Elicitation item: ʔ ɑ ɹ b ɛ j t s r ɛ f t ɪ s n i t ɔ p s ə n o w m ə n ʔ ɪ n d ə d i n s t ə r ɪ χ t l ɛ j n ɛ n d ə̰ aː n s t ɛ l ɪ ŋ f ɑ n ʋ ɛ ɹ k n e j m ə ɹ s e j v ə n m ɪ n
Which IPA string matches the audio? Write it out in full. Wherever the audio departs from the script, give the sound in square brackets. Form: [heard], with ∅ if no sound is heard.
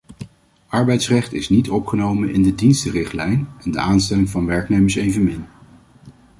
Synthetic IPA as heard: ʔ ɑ ɹ b ɛ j t s r ɛ [χ] t ɪ s n i t ɔ p [χ] ə n o w m ə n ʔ ɪ n d ə d i n s t ə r ɪ χ t l ɛ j n ɛ n d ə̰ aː n s t ɛ l ɪ ŋ [v] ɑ n ʋ ɛ ɹ k n e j m ə ɹ s e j v ə n m ɪ n